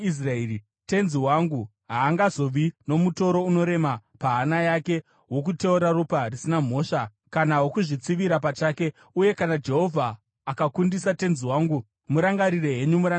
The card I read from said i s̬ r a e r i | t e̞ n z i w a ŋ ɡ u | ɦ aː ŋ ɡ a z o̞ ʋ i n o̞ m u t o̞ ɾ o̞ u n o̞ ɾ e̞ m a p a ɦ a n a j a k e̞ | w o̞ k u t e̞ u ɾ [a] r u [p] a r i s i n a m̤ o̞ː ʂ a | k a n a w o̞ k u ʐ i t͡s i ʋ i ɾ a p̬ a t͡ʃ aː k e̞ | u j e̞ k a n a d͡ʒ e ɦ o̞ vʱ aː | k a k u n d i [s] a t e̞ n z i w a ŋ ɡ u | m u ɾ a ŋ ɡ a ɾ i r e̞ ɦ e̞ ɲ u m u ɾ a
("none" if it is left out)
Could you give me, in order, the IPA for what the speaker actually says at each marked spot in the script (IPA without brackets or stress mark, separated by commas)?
a, p, s